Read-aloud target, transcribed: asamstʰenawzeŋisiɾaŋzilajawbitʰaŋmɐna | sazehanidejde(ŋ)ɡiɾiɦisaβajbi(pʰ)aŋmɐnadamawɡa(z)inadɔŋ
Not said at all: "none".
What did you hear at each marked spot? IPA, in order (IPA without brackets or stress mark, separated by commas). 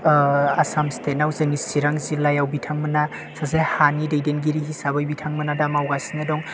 n, tʰ, s